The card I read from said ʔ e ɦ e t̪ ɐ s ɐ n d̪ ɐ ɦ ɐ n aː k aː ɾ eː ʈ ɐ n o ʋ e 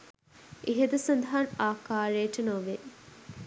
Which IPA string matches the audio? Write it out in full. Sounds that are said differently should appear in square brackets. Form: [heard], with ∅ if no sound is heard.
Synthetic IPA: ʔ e ɦ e [d̪] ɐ s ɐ n d̪ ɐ ɦ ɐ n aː k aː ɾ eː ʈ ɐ n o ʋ e

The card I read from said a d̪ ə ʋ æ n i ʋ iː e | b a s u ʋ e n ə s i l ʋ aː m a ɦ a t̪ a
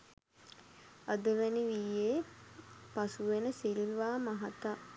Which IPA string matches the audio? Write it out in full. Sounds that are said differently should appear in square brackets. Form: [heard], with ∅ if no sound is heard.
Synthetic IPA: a d̪ ə ʋ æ n i ʋ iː e | [p] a s u ʋ e n ə s i l ʋ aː m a ɦ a t̪ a

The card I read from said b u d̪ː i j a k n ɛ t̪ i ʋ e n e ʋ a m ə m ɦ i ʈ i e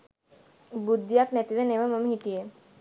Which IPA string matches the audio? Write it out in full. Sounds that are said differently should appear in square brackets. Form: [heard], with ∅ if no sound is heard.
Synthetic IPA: b u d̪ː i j a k n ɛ t̪ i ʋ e n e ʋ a m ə m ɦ i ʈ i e

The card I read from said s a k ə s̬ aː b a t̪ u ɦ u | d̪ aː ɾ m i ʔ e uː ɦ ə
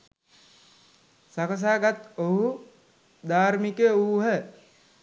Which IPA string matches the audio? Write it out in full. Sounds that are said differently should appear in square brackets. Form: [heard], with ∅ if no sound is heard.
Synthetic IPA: s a k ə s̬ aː [ɡ] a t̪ [o] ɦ u | d̪ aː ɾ m i [k] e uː ɦ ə

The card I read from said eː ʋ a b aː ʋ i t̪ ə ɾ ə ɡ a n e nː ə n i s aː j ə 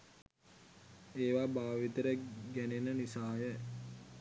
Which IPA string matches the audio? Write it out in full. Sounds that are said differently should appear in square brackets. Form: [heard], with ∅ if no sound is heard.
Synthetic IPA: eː ʋ a b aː ʋ i t̪ ə ɾ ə ɡ [æ] n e [n] ə n i s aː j ə

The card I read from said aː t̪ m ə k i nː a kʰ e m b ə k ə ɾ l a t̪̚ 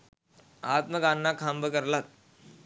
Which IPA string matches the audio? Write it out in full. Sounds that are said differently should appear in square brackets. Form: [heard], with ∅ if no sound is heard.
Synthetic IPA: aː t̪ m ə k [a] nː a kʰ [a] m b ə k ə ɾ l a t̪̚

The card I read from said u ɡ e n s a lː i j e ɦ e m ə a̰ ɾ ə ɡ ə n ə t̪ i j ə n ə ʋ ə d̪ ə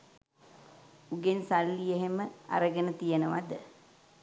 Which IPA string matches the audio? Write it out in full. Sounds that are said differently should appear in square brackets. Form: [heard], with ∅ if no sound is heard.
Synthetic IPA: u ɡ e n s a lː i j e ɦ e m ə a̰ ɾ ə ɡ ə n ə t̪ i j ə n ə ʋ [a] d̪ ə

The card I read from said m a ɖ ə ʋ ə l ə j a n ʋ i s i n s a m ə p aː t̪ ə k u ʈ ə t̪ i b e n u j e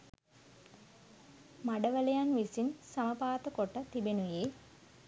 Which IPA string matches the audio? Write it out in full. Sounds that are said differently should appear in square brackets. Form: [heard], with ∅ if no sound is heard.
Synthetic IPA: m a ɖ ə ʋ ə l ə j a n ʋ i s i n s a m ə p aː t̪ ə k [o] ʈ ə t̪ i b e n u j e

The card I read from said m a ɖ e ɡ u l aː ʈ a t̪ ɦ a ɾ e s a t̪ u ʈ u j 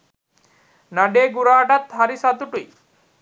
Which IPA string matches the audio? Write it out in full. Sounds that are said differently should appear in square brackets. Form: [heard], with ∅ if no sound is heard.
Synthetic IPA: [n] a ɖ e ɡ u [ɾ] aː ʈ a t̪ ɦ a ɾ [i] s a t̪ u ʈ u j

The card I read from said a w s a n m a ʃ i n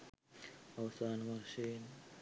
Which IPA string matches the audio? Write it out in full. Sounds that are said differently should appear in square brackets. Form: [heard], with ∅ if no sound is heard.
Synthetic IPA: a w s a n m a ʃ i n

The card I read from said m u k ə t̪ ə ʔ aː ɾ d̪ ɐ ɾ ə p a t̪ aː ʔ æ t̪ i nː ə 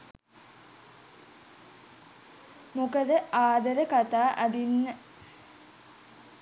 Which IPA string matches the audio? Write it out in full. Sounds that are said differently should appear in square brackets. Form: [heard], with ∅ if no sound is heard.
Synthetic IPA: m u k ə [d̪] ə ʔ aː [∅] d̪ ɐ ɾ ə [k] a t̪ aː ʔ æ [d̪] i nː ə

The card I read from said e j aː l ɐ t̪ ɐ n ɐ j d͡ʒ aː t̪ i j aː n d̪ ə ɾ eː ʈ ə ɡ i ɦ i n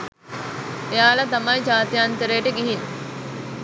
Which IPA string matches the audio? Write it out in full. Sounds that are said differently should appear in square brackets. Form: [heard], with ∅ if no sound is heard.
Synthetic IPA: e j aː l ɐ t̪ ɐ [m] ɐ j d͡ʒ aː t̪ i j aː n [t̪] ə ɾ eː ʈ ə ɡ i ɦ i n

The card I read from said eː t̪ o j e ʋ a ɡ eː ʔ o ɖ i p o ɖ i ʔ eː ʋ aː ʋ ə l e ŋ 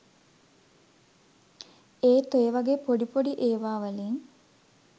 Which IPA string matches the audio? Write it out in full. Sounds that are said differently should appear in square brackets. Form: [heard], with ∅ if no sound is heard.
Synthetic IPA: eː t̪ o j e ʋ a ɡ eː [p] o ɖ i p o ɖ i ʔ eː ʋ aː ʋ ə l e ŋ

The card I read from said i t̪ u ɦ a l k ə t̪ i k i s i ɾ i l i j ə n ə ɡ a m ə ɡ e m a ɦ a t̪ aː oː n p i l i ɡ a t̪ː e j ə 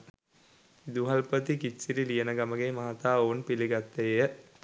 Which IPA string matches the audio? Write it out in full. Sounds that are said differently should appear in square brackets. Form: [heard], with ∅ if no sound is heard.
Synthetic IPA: i [d̪] u ɦ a l [p] ə t̪ i k i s i ɾ i l i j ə n ə ɡ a m ə ɡ e m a ɦ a t̪ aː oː n p i l i ɡ a t̪ː e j ə

